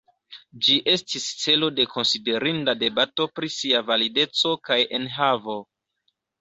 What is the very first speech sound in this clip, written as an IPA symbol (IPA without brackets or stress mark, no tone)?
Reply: d͡ʒ